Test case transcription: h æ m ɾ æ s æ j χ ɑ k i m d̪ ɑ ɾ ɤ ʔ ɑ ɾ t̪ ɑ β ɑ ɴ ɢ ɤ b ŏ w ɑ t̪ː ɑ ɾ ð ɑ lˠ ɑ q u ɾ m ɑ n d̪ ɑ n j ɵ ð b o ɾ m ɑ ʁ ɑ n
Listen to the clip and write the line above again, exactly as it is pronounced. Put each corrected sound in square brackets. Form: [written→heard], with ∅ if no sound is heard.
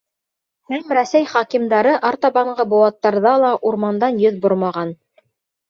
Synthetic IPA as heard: h æ m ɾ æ s æ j χ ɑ k i m d̪ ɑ ɾ ɤ ʔ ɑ ɾ t̪ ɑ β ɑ ɴ ɢ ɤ b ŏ w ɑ t̪ː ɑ ɾ ð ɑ lˠ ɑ [q→ʔ] u ɾ m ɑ n d̪ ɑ n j ɵ ð b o ɾ m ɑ ʁ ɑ n